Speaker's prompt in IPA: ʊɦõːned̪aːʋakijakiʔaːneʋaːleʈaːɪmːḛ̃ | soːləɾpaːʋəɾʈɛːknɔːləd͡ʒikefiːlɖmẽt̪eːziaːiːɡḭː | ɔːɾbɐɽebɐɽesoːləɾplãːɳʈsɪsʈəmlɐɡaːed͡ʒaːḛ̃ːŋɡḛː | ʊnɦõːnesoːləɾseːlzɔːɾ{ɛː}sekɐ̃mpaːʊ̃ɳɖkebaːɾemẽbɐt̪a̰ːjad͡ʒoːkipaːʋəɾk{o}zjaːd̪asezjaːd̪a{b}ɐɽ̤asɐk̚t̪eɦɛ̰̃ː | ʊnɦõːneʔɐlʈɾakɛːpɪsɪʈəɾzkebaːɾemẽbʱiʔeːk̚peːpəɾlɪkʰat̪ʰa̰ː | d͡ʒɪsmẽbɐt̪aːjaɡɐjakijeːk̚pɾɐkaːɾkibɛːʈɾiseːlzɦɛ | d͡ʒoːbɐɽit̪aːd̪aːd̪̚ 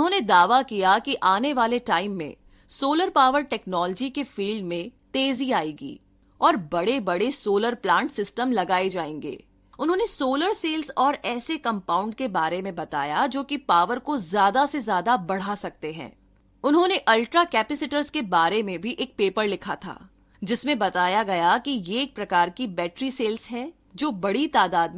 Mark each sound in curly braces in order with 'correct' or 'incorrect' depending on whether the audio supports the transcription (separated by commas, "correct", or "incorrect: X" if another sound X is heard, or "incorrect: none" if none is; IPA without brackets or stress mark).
correct, correct, correct